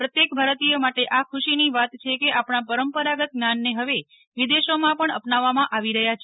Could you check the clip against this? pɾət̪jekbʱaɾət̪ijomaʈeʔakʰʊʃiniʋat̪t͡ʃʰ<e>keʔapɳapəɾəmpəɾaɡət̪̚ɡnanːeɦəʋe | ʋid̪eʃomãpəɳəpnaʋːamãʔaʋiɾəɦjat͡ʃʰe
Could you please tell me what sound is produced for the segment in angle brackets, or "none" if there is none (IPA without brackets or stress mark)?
e